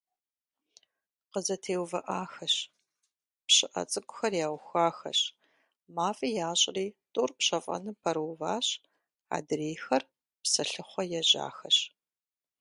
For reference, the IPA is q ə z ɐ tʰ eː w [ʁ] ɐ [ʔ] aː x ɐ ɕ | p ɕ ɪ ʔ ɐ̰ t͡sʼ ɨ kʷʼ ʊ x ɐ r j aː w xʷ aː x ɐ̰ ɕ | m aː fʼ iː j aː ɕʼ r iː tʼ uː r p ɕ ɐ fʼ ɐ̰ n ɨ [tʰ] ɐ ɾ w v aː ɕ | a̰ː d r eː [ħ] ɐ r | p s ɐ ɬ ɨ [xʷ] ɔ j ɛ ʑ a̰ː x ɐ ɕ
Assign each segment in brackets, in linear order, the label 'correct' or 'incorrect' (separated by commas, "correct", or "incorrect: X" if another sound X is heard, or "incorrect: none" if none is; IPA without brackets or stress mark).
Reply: incorrect: v, correct, incorrect: pʰ, incorrect: x, incorrect: χʷ